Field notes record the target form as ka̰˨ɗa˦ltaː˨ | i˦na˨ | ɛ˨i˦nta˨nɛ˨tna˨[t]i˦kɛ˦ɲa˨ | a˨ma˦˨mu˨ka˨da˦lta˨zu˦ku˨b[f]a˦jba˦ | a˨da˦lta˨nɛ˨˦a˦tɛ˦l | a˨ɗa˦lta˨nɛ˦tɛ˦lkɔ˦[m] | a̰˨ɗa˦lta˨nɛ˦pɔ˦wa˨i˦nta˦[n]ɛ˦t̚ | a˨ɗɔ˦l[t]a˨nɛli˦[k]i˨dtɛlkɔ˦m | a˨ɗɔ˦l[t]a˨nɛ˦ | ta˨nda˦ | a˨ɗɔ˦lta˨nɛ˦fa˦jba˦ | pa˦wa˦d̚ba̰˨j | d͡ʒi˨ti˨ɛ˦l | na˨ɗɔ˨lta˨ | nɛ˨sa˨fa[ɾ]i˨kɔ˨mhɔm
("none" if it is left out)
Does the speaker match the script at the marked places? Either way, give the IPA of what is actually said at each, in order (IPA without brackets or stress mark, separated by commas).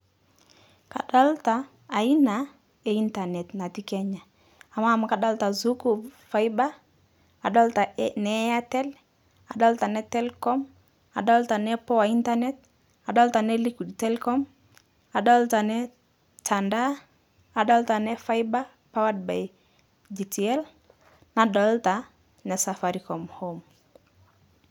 t, f, m, n, t, k, t, ɾ